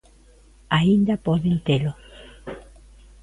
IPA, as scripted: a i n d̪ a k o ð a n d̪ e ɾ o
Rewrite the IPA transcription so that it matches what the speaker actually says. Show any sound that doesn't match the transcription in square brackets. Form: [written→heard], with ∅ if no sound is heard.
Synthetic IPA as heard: a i n d̪ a [k→p] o ð [a→e] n [d̪→t̪] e [ɾ→l] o